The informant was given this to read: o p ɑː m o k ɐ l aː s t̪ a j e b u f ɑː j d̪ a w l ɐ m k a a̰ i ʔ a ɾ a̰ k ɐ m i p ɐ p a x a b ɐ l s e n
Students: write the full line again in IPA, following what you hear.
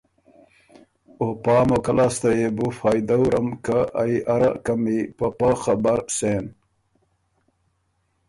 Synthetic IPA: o p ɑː m o k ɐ l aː s t̪ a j e b u f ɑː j d̪ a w ɾ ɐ m k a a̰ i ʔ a ɾ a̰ k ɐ m i p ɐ p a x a b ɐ ɾ s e n